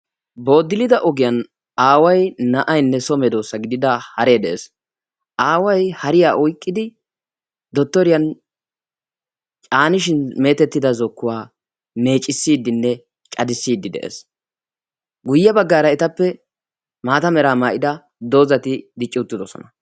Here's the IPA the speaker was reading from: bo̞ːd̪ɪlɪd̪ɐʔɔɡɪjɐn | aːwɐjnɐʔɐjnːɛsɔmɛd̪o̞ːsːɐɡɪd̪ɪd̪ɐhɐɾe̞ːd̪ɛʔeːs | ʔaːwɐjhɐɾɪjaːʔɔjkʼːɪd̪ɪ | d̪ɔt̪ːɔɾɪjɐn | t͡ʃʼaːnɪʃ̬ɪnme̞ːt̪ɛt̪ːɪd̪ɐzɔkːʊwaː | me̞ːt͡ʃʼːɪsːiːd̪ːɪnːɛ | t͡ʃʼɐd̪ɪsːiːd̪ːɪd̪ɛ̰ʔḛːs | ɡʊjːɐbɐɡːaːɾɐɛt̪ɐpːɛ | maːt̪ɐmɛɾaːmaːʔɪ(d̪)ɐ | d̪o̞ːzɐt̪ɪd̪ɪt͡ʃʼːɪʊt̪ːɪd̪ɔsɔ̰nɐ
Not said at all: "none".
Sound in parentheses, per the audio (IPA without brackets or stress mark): d̪